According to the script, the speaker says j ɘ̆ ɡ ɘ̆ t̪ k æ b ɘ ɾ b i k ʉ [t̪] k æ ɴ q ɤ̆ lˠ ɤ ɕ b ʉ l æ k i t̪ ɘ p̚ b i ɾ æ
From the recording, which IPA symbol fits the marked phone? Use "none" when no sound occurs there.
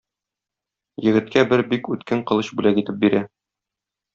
t̪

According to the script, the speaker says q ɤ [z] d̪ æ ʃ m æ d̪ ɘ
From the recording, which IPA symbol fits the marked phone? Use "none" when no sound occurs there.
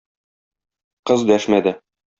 z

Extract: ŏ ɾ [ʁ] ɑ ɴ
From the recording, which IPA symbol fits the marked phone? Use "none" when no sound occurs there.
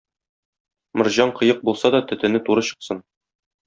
ʑ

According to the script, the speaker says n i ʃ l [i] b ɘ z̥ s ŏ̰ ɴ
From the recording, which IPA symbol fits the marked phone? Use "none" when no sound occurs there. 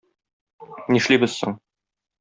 i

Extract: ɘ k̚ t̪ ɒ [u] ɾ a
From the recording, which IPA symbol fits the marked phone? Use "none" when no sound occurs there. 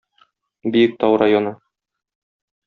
w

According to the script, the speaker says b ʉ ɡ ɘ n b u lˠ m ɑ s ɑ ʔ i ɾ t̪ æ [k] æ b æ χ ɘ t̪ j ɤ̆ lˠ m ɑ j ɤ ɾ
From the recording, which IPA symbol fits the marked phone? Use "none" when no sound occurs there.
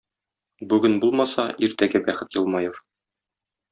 ɡ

